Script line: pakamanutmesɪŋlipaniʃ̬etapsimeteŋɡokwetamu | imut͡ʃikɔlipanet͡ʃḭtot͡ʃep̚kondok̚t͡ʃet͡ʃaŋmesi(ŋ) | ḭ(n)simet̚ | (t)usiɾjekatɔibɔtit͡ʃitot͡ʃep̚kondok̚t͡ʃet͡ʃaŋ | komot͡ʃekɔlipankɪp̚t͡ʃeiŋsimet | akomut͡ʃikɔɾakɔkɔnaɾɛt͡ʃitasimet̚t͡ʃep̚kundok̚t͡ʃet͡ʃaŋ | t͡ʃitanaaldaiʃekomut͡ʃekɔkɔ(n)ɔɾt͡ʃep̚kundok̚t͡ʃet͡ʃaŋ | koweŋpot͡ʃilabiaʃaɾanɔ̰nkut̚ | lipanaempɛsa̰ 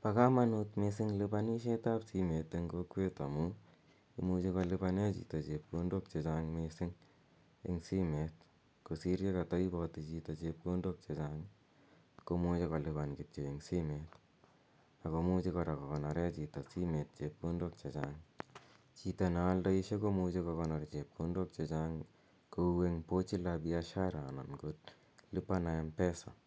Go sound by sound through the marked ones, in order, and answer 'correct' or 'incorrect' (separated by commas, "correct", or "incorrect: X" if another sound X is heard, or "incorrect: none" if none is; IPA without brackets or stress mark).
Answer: correct, incorrect: ŋ, incorrect: k, correct